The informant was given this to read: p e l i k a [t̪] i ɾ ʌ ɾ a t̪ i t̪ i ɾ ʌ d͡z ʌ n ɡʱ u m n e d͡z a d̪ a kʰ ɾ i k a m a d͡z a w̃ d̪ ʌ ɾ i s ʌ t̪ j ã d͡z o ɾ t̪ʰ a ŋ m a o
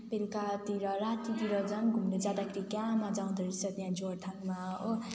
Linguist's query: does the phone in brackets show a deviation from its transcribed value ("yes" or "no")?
no